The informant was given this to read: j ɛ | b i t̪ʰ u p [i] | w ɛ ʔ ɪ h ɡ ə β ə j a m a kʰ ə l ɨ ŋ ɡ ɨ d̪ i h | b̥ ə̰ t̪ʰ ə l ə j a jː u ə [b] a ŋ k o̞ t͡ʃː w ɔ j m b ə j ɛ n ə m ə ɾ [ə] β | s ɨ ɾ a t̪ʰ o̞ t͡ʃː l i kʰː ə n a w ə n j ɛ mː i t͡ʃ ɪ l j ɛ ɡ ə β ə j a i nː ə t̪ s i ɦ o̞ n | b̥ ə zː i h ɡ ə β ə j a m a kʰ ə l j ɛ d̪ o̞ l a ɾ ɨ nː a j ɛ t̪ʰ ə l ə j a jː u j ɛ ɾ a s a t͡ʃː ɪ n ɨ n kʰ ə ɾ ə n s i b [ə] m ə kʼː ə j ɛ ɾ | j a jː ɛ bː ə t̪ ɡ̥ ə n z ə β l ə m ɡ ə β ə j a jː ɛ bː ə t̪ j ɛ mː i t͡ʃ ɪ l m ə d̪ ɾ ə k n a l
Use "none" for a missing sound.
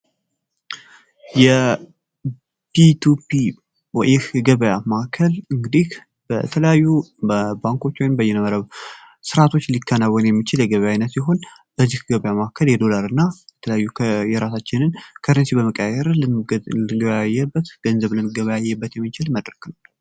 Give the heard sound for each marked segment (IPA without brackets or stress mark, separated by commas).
i, b, ə, ə